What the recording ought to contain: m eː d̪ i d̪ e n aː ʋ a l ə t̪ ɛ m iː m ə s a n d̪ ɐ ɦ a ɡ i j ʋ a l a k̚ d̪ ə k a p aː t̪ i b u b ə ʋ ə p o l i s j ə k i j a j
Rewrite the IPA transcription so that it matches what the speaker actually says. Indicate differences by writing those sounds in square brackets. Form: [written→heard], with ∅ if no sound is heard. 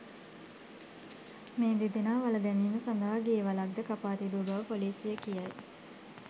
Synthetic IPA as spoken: m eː d̪ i d̪ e n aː ʋ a l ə [t̪→d̪] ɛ m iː m ə s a n d̪ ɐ ɦ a ɡ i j ʋ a l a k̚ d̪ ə k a p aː t̪ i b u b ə ʋ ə p o l [i→iː] s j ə k i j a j

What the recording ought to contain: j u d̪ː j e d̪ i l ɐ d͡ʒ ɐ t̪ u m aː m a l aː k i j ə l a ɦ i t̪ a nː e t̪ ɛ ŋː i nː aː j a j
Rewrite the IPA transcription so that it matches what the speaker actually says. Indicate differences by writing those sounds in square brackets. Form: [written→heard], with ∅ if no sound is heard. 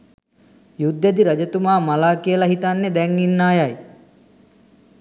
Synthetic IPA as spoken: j u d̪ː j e d̪ i [l→ɾ] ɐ d͡ʒ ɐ t̪ u m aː m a l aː k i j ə l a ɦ i t̪ a nː e [t̪→d̪] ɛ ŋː i nː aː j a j

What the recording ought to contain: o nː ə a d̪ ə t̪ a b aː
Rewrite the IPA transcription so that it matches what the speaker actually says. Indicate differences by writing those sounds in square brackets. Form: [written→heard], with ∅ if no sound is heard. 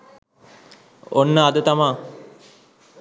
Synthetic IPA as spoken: o nː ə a d̪ ə t̪ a [b→m] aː

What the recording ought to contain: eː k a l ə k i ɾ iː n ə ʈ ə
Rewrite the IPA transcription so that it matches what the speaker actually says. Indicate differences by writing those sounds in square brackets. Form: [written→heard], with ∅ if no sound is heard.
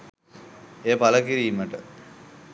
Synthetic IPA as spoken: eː [k→p] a l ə k i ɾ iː [n→m] ə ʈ ə

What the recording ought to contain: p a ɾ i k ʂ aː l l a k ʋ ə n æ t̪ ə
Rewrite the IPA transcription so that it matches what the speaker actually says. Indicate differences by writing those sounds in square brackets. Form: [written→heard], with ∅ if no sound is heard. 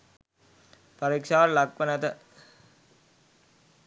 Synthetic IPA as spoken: p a ɾ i k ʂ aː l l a k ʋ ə n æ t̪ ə

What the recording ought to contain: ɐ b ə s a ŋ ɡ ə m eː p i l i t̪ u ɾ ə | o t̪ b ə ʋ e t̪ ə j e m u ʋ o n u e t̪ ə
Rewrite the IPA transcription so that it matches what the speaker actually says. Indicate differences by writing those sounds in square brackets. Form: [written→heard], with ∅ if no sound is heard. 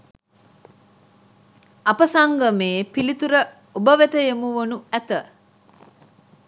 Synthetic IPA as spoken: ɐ [b→p] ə s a ŋ ɡ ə m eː p i l i t̪ u ɾ ə | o [t̪→∅] b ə ʋ e t̪ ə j e m u ʋ o n u [e→æ] t̪ ə

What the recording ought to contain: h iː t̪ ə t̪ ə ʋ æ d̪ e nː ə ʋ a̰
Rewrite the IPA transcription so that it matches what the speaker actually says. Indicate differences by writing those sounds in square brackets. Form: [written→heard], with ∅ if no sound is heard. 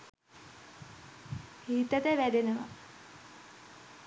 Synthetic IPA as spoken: h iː t̪ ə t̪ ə ʋ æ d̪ e [nː→n] ə ʋ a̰

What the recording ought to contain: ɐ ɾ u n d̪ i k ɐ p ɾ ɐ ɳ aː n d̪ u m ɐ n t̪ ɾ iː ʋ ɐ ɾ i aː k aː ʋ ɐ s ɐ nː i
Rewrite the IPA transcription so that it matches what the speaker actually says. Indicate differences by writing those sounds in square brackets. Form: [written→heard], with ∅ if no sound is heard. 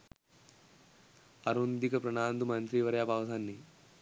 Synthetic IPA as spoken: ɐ ɾ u n d̪ i k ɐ p ɾ ɐ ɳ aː n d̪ u m ɐ n t̪ ɾ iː ʋ ɐ ɾ [i→j] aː [k→p] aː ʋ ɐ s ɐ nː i

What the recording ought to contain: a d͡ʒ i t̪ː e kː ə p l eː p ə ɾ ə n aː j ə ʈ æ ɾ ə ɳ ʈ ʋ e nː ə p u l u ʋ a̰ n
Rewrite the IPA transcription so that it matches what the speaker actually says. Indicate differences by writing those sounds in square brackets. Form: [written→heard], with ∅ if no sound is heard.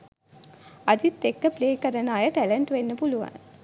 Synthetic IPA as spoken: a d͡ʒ i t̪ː e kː ə p l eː [p→k] ə ɾ ə n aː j ə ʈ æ [ɾ→l] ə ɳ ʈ ʋ e nː ə p u l u ʋ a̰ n

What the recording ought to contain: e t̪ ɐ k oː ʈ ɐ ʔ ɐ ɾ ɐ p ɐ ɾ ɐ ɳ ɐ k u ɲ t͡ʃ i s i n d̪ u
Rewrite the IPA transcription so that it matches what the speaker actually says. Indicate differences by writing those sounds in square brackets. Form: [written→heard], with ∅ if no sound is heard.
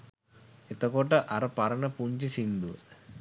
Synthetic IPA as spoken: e t̪ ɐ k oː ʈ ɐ ʔ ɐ ɾ ɐ p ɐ ɾ ɐ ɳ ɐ [k→p] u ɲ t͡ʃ i s i n d̪ u

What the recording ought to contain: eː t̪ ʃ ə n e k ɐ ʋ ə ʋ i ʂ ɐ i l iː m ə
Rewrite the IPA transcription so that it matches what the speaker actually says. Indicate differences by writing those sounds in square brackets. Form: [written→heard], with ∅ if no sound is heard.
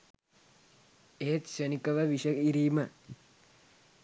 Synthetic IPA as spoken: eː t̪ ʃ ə n [e→i] k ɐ ʋ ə ʋ i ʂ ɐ i [l→ɾ] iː m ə

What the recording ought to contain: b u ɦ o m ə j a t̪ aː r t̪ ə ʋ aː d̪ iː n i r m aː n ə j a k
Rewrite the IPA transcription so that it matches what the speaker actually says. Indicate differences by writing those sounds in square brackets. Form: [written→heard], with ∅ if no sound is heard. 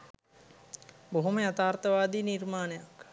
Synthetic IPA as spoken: b [u→o] ɦ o m ə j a t̪ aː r t̪ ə ʋ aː d̪ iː n i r m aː n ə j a k

